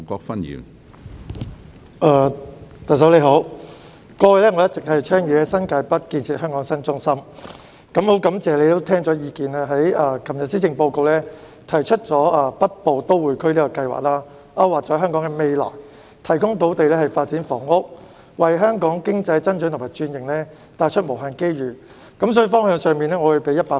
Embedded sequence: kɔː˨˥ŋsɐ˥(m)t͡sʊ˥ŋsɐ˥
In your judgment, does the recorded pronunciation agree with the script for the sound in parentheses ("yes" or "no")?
no